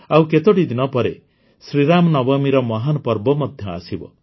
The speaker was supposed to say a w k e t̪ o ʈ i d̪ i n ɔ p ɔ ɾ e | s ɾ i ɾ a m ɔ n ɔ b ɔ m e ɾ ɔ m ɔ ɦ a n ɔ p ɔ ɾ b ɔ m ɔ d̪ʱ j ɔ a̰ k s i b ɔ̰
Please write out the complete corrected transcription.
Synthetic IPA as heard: a w k e t̪ o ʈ i d̪ i n ɔ p ɔ ɾ e | s ɾ i ɾ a m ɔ n ɔ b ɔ m i ɾ ɔ m ɔ ɦ a n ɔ p ɔ ɾ b ɔ m ɔ d̪ʱ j ɔ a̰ s i b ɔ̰